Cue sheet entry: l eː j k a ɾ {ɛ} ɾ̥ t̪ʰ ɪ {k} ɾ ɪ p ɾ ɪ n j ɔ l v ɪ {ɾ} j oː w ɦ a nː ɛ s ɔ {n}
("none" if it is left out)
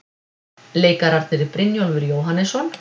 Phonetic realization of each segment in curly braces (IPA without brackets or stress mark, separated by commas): a, none, ɾ, n